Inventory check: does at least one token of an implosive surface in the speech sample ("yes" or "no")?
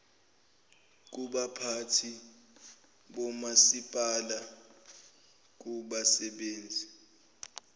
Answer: yes